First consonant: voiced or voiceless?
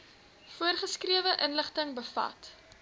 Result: voiceless